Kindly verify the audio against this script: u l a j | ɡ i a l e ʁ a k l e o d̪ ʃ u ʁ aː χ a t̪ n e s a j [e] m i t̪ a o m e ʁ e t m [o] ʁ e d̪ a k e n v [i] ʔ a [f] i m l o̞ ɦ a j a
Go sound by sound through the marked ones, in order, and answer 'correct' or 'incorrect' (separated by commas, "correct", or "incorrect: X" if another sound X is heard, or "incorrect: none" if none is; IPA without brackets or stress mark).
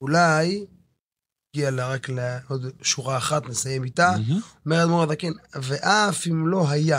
correct, correct, incorrect: e, correct